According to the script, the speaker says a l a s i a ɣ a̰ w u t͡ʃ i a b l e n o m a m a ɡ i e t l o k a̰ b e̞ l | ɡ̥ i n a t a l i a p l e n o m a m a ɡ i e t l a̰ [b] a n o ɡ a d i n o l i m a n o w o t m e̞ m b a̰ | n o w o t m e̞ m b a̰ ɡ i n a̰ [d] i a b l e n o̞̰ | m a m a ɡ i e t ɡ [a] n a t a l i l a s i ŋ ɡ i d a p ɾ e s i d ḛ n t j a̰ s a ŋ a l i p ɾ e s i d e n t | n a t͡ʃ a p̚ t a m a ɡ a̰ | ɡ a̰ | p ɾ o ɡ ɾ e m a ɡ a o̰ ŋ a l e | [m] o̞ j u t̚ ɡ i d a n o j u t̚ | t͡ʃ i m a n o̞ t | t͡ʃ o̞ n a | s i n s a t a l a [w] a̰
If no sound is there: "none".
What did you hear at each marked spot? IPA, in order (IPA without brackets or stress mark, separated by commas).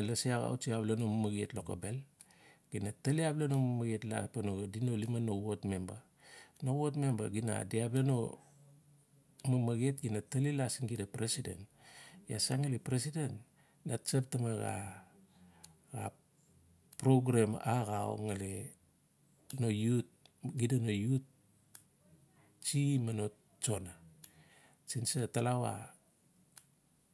p, d, i, n, w